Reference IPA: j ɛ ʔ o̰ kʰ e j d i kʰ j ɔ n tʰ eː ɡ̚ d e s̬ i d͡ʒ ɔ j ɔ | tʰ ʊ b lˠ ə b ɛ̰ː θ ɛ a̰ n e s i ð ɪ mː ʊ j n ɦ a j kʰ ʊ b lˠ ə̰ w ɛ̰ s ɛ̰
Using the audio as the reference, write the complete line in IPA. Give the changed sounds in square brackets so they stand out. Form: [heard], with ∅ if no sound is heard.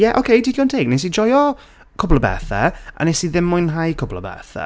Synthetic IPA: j ɛ ʔ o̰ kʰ e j d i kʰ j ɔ n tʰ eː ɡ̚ [n] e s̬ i d͡ʒ ɔ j ɔ | [kʰ] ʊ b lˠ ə b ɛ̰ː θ ɛ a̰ n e s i ð ɪ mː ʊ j n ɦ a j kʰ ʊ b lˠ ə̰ [b] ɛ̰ [θ] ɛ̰